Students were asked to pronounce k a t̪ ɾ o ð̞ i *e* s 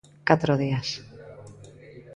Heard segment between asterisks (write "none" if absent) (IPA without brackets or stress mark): a